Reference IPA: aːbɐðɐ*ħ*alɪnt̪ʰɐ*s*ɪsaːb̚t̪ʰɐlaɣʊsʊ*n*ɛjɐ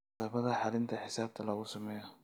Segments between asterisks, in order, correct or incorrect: correct, incorrect, incorrect

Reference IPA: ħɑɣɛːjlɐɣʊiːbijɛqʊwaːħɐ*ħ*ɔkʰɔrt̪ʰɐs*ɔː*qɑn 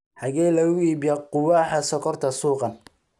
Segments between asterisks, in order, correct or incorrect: incorrect, incorrect

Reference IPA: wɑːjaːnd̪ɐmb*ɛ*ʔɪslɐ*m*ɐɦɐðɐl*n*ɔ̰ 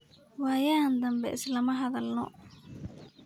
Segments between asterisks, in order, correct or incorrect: correct, correct, correct

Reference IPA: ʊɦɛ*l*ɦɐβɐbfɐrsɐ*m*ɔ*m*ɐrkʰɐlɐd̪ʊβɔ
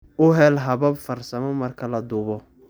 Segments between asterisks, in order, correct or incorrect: correct, correct, correct

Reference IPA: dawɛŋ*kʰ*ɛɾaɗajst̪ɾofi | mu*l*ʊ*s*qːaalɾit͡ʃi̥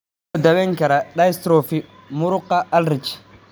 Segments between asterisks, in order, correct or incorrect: incorrect, incorrect, incorrect

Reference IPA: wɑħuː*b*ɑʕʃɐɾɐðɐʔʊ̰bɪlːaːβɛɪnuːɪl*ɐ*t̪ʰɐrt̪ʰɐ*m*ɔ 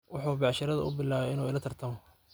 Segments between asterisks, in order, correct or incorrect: correct, correct, correct

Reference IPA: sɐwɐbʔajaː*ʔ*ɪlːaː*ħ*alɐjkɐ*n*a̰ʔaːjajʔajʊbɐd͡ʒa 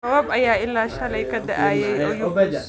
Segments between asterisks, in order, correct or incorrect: correct, incorrect, incorrect

